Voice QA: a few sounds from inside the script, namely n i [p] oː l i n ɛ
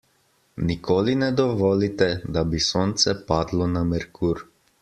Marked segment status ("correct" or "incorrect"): incorrect